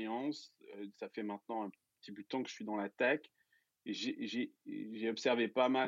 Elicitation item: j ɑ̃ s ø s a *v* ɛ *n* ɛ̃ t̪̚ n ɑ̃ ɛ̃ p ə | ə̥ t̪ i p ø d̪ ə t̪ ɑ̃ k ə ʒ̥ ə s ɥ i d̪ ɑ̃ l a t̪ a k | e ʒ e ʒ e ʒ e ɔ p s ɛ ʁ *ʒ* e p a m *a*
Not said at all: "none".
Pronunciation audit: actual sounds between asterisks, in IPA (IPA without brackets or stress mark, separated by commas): f, m, v, a